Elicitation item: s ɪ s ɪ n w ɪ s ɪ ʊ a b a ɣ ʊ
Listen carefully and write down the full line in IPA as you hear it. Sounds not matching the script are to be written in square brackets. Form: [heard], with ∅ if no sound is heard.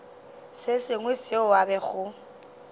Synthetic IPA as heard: s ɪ s ɪ [ŋ] w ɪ s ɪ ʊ a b [ɛ] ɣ ʊ